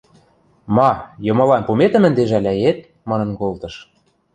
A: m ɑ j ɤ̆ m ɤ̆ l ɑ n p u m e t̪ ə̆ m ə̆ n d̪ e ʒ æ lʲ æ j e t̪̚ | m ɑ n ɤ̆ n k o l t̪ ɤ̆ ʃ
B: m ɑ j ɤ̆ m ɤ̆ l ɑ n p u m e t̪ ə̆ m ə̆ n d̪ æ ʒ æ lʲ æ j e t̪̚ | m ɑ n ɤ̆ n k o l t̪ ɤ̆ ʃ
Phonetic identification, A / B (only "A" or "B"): A